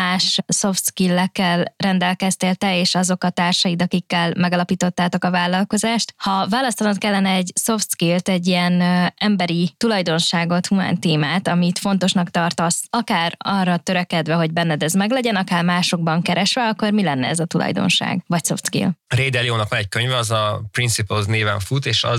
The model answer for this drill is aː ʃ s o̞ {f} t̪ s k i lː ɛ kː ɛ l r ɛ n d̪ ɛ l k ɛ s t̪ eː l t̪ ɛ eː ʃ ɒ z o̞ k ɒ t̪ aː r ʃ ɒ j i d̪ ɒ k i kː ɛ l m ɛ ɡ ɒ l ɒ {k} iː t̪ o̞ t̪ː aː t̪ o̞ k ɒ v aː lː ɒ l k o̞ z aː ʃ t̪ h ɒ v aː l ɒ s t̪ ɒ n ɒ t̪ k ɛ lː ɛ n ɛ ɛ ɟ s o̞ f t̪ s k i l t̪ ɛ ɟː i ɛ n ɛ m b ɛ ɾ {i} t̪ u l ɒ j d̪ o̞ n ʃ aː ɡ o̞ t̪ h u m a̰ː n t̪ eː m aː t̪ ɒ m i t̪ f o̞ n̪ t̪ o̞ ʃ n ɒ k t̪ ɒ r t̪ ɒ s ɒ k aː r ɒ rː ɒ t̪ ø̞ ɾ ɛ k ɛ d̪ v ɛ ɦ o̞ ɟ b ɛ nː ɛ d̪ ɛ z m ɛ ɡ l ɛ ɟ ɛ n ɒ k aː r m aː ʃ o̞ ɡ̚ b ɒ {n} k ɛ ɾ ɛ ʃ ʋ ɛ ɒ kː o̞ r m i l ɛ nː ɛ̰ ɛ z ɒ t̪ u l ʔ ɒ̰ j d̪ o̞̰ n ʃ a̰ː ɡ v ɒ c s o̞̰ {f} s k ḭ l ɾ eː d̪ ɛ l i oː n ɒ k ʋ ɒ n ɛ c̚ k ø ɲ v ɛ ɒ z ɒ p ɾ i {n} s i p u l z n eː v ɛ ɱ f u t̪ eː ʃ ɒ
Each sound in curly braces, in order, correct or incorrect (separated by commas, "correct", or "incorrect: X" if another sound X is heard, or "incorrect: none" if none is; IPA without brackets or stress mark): correct, incorrect: p, correct, incorrect: ŋ, correct, correct